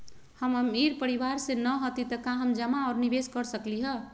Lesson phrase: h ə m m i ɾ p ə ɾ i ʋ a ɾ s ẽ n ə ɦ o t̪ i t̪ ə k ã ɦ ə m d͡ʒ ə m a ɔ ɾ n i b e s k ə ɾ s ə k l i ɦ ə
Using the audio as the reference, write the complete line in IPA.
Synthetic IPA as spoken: h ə m m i ɾ p ə ɾ i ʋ a ɾ s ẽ n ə ɦ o t̪ i t̪ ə k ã ɦ ə m d͡ʒ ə m a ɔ ɾ n i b e s k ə ɾ s ə k l i ɦ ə